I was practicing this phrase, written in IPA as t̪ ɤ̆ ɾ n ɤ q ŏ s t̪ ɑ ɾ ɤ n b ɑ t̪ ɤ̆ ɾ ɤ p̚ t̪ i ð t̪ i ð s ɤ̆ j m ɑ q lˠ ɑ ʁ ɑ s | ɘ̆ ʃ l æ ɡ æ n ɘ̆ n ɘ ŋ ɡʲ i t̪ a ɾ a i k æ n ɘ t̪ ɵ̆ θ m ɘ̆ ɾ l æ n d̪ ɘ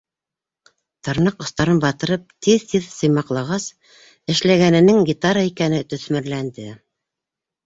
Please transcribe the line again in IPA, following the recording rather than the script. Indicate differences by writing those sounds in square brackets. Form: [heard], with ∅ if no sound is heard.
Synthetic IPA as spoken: t̪ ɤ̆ ɾ n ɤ q ŏ s t̪ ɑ ɾ ɤ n b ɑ t̪ ɤ̆ ɾ ɤ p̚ t̪ i ð t̪ i ð s ɤ̆ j m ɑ q lˠ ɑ ʁ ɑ s | ɘ̆ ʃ l æ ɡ æ n ɘ̆ n ɘ ŋ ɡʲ i t̪ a ɾ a i k æ n ɘ t̪ ɵ̆ θ m ɘ̆ ɾ l æ n d̪ ɘ